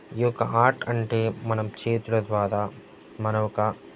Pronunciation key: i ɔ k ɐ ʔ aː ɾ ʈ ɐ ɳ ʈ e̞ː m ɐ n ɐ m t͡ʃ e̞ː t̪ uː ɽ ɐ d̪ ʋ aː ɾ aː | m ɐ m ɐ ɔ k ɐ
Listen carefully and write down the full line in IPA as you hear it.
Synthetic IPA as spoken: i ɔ k ɐ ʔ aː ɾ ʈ ɐ ɳ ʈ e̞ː m ɐ n ɐ m t͡ʃ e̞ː t̪ u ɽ ɐ d̪ ʋ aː ɾ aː | m ɐ n ɐ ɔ k ɐ